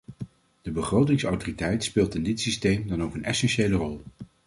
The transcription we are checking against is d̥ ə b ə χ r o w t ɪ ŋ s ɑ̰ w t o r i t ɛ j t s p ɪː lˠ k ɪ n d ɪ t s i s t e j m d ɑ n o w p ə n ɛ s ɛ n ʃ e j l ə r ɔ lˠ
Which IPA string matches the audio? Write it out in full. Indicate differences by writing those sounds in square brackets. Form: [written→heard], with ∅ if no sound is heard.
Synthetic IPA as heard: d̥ ə b ə χ r o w t ɪ ŋ s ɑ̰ w t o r i t ɛ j t s p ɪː lˠ [k→t] ɪ n d ɪ t s i s t e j m d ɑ n o w [p→k] ə n ɛ s ɛ n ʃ e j l ə r ɔ lˠ